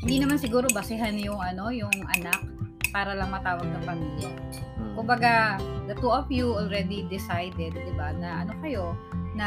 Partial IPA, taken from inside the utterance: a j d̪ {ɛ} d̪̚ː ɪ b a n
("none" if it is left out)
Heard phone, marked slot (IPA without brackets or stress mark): ɛ